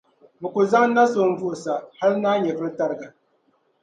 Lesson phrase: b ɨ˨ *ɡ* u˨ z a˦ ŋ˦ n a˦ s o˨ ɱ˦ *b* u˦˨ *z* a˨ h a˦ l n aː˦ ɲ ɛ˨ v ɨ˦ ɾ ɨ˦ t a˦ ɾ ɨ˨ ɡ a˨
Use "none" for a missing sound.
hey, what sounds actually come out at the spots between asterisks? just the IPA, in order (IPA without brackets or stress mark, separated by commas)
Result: k, v, s